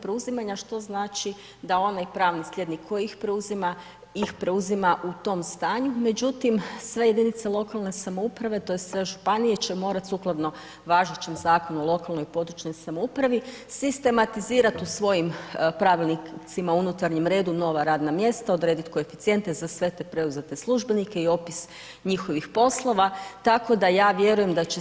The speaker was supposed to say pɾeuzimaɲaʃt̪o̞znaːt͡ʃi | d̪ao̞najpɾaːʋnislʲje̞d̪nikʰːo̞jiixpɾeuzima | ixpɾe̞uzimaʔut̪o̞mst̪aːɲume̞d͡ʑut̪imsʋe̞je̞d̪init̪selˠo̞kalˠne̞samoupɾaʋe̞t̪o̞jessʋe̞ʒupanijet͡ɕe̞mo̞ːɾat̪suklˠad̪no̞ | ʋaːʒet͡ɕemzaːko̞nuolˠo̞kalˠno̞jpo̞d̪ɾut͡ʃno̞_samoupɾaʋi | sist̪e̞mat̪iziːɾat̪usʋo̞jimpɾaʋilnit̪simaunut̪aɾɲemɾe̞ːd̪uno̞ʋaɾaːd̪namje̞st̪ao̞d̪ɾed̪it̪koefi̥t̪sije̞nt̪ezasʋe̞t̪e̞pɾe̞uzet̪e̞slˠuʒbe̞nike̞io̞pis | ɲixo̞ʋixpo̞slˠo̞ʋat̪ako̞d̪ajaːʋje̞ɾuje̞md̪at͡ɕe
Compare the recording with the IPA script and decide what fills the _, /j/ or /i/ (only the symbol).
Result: j